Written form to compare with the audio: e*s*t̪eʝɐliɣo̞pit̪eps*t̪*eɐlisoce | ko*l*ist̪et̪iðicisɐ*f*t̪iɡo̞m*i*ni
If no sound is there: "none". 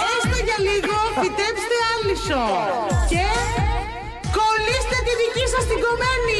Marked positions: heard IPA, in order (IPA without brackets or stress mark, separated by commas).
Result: s, t̪, l, s, e